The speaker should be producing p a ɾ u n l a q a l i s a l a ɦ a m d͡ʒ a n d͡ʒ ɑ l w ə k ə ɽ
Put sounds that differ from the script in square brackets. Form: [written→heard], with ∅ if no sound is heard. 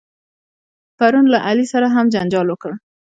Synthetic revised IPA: p a ɾ u n l a [q→ʔ] a l i s a [l→ɾ] a ɦ a m d͡ʒ a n d͡ʒ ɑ l w ə k ə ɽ